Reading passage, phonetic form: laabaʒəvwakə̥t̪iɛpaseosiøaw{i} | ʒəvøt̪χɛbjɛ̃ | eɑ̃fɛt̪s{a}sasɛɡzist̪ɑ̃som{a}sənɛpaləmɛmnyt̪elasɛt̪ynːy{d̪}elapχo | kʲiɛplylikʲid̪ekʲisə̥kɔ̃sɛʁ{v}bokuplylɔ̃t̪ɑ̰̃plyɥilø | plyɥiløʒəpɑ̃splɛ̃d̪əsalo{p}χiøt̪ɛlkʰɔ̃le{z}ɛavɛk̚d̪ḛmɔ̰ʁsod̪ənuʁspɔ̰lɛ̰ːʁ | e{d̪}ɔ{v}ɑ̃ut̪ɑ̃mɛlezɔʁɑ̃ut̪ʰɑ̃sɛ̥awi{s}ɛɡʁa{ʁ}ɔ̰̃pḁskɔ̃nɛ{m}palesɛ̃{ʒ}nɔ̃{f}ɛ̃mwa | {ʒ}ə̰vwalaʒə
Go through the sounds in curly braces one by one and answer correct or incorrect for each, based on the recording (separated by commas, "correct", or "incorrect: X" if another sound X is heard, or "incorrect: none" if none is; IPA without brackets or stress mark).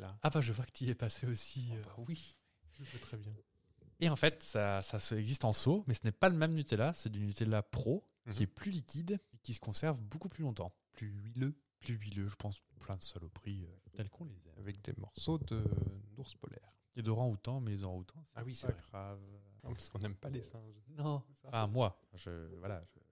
correct, correct, incorrect: ɛ, incorrect: t̪, correct, correct, correct, correct, incorrect: ʁ, correct, incorrect: v, correct, correct, correct, correct